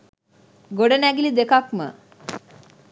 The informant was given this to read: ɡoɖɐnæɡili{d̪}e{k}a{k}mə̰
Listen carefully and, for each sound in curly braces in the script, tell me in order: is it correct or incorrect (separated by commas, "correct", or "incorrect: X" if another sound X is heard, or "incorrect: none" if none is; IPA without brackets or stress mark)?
correct, correct, correct